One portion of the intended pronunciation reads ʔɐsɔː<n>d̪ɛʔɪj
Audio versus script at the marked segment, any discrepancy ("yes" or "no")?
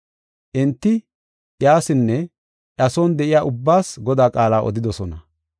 no